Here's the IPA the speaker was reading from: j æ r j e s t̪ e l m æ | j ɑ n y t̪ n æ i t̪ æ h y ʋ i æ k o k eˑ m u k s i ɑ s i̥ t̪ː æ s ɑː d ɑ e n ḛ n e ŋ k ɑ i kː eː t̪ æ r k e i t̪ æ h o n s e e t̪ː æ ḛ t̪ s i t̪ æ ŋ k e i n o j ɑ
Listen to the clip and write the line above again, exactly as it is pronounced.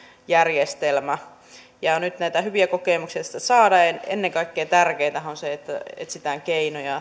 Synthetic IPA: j æ r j e s t̪ e l m æ | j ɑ n y t̪ n æ i t̪ æ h y ʋ i æ k o k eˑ m u k s i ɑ s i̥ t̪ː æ s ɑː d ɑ e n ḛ nː e ŋ k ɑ i kː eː t̪ æ r k e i t̪ æ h o n s e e t̪ː æ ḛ t̪ s i t̪ æ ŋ k e i n o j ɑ